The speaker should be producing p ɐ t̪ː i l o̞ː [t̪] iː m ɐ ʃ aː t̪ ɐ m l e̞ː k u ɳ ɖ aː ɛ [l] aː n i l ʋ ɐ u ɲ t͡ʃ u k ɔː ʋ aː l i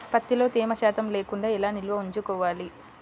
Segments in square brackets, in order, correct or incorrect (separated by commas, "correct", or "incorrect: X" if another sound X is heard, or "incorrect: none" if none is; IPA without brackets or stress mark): correct, correct